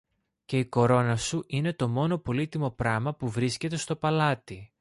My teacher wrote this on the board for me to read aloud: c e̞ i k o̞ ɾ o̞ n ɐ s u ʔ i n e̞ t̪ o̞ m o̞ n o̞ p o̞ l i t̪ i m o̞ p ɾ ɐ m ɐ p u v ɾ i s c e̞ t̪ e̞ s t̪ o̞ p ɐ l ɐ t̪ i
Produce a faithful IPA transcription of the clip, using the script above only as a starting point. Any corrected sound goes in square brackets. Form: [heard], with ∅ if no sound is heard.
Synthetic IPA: c e̞ i k o̞ ɾ o̞ n ɐ s u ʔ i n e̞ t̪ o̞ m o̞ n o̞ p o̞ l i t̪ i m o̞ p ɾ ɐ m ɐ p u v ɾ i s c e̞ t̪ e̞ s t̪ o̞ p ɐ l ɐ t̪ i